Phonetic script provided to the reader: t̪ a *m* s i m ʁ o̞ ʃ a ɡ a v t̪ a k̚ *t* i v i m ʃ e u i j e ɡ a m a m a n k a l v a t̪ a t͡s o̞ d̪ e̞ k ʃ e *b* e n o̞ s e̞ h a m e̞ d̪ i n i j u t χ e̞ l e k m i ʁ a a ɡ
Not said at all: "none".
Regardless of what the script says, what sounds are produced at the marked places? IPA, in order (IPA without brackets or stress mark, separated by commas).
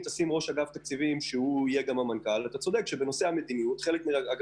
none, t͡s, b